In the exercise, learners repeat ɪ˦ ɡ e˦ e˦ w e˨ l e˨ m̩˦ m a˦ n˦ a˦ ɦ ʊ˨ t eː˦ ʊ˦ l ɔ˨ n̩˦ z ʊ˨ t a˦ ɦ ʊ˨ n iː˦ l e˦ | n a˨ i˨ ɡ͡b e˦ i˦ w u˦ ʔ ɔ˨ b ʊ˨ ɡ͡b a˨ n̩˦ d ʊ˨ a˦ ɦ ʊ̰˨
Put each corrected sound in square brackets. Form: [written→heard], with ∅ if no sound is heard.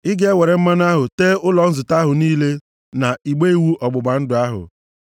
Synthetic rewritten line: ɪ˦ ɡ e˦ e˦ w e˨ [l→ɾ] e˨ m̩˦ m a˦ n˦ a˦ ɦ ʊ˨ t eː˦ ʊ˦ l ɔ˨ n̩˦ z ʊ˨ t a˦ ɦ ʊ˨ n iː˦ l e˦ | n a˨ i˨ ɡ͡b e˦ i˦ w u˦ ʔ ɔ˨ [b→ɡ͡b] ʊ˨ ɡ͡b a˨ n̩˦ d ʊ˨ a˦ ɦ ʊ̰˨